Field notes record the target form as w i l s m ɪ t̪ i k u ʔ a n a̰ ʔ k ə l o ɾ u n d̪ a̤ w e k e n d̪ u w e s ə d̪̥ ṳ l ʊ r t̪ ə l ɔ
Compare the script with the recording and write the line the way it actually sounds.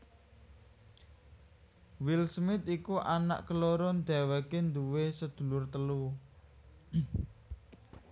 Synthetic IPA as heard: w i l s m ɪ t̪ i k u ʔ a n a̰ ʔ k ə l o ɾ ɔ n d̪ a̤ w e k e n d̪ u w e s ə d̪̥ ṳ l ʊ r t̪ ə l u

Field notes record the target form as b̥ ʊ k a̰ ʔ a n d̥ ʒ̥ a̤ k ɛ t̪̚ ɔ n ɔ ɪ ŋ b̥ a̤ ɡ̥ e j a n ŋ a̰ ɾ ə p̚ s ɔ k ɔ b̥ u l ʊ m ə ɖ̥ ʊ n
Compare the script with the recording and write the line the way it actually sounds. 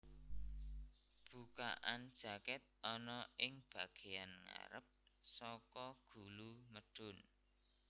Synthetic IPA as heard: b̥ u k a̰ ʔ a n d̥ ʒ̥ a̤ k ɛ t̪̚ ɔ n ɔ ɪ ŋ b̥ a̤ ɡ̥ e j a n ŋ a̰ ɾ ə p̚ s ɔ k ɔ ɡ̥ u l u m ə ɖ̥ ʊ n

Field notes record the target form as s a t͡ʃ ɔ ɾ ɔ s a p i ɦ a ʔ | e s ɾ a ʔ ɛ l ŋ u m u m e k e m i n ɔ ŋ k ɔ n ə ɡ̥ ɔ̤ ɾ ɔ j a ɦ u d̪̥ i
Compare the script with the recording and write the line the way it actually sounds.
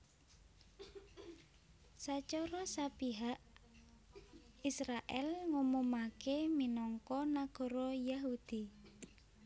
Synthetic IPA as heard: s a t͡ʃ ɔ ɾ ɔ s a p i ɦ a ʔ | i s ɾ a ʔ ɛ l ŋ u m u m a k e m i n ɔ ŋ k ɔ n a ɡ̥ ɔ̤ ɾ ɔ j a ɦ u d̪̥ i

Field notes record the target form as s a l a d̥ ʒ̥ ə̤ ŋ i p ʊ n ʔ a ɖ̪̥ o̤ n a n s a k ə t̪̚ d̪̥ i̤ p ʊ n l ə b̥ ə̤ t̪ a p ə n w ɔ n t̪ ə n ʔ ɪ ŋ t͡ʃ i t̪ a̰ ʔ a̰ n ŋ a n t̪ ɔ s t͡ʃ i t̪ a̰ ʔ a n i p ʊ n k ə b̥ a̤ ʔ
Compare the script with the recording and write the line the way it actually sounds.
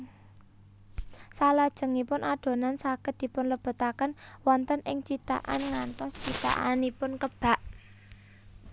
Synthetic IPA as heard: s a l a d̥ ʒ̥ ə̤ ŋ i p ʊ n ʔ a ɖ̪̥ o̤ n a n s a k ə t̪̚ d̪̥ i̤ p ʊ n l ə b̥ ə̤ t̪ a k ə n w ɔ n t̪ ə n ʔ ɪ ŋ t͡ʃ i t̪ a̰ ʔ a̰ n ŋ a n t̪ ɔ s t͡ʃ i t̪ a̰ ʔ a n i p ʊ n k ə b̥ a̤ ʔ

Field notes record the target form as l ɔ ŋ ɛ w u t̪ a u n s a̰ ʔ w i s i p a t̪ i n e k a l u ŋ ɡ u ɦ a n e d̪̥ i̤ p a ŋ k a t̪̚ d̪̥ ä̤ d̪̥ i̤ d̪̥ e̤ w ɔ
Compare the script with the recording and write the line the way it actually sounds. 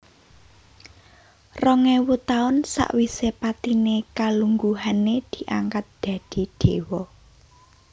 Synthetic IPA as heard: r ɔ ŋ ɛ w u t̪ a ʊ n s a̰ ʔ w i s e p a t̪ i n e k a l u ŋ ɡ u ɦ a n e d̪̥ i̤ ʔ a ŋ k a t̪̚ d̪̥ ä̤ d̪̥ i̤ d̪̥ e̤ w ɔ

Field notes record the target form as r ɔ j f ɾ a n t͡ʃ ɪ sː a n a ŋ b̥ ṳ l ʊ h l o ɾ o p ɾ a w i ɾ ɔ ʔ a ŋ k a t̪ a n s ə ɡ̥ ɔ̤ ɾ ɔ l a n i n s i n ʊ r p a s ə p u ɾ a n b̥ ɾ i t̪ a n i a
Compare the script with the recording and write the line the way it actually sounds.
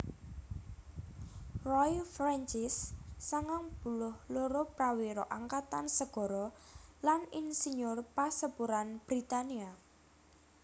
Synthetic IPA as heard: r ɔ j f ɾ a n t͡ʃ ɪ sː a ŋ a ŋ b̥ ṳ l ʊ h l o ɾ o p ɾ a w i ɾ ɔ ʔ a ŋ k a t̪ a n s ə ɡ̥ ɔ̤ ɾ ɔ l a n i n s i ɲ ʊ r p a s ə p u ɾ a n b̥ ɾ i t̪ a n i a

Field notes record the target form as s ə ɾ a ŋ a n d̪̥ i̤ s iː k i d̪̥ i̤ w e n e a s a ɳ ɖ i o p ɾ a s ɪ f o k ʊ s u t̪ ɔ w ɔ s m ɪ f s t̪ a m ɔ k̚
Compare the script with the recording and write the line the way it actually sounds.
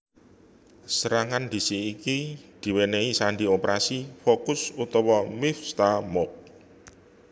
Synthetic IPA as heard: s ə ɾ a ŋ a n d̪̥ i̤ s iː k i d̪̥ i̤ w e n e i s a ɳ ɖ i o p ɾ a s i f o k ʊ s u t̪ ɔ w ɔ m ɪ f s t̪ a m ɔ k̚

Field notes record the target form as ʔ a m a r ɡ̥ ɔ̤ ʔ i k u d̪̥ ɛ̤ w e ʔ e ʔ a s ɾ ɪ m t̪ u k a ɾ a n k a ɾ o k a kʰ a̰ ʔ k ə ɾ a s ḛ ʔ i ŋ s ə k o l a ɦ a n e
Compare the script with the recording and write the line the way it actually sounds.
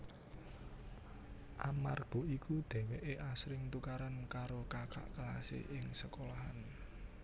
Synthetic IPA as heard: ʔ a m a r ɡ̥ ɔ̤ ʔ i k u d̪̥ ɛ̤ w e ʔ e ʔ a s ɾ ɪ ŋ t̪ u k a ɾ a n k a ɾ o k a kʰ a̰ ʔ k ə l a s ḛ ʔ ɪ ŋ s ə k o l a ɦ a n e

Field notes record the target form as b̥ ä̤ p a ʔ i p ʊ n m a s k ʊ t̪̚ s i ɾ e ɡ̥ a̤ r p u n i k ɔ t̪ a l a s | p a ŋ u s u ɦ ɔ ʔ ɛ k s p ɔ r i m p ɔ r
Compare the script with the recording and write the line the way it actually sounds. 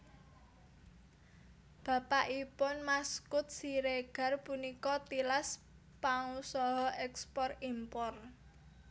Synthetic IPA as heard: b̥ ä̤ p a ʔ i p ʊ n m a s k ʊ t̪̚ s i ɾ e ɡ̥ a̤ r p u n i k ɔ t̪ i l a s | p a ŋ u s ɔ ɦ ɔ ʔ ɛ k s p ɔ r i m p ɔ r

